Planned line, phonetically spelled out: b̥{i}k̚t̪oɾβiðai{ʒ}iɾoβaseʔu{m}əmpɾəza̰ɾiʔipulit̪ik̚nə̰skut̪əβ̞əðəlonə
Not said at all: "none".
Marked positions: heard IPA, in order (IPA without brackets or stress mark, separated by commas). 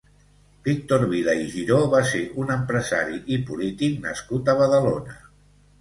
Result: i, ʒ, n